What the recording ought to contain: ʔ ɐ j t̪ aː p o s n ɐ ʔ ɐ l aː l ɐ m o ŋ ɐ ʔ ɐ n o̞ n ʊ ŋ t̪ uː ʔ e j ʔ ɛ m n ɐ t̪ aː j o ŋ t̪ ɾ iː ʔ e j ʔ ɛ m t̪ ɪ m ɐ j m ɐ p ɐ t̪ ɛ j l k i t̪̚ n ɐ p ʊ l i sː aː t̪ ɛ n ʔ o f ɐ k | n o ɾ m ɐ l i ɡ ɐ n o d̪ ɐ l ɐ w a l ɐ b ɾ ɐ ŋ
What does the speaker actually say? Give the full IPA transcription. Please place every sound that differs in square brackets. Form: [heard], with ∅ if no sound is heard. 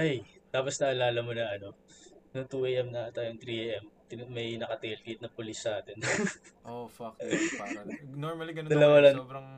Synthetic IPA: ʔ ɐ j t̪ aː p o s n ɐ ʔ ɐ l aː l ɐ m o [n] ɐ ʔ ɐ n o̞ n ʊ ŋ t̪ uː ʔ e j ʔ ɛ m n ɐ t̪ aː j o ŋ t̪ ɾ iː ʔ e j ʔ ɛ m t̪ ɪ m ɐ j [n] ɐ [k] ɐ t̪ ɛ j l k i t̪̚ n ɐ p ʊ l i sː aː t̪ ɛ n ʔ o f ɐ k | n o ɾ m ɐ l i ɡ ɐ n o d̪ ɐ l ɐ w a l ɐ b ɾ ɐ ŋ